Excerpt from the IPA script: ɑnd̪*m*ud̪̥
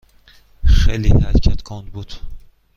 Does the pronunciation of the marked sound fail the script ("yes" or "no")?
yes